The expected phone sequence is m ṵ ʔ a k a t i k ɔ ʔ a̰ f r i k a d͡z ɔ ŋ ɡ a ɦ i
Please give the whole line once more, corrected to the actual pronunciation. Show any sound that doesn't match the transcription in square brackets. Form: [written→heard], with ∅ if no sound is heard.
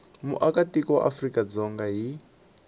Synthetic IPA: m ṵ ʔ a k a t i k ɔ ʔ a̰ f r i k a d͡z ɔ ŋ ɡ a ɦ i